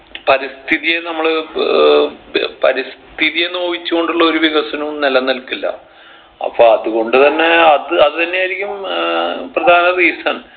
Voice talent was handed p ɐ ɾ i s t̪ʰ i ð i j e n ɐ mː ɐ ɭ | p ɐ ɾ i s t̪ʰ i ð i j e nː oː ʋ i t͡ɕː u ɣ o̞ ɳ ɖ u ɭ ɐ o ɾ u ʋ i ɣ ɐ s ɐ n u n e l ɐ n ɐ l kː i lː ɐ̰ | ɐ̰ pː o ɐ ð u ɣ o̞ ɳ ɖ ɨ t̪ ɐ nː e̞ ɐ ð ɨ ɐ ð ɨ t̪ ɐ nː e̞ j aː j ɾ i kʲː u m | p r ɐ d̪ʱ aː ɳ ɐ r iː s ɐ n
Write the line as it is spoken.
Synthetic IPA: p ɐ ɾ i s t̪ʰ i ð i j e n ɐ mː ɐ ɭ | p ɐ ɾ i s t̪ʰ i ð i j e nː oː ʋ i t͡ɕː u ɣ o̞ ɳ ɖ u ɭː ɐ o ɾ u ʋ i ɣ ɐ s ɐ n u n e l ɐ n ɐ l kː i lː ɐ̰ | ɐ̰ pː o ɐ ð u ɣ o̞ ɳ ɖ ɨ t̪ ɐ nː e̞ ɐ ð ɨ ɐ ð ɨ t̪ ɐ nː e̞ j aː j ɾ i kʲː u m | p r ɐ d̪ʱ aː n ɐ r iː s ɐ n